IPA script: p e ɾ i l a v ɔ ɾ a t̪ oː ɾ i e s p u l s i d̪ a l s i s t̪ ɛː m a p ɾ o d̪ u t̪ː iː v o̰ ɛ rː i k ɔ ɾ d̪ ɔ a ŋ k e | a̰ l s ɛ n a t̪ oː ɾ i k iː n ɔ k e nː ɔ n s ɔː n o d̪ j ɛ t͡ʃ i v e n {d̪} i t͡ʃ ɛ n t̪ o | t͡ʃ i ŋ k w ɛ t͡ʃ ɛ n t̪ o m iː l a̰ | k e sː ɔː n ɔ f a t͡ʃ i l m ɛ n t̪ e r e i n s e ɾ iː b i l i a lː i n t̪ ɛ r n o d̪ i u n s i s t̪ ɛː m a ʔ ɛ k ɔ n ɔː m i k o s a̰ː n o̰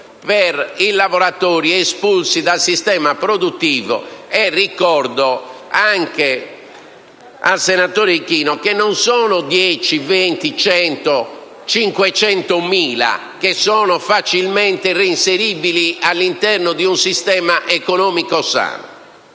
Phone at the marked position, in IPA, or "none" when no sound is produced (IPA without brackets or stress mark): t̪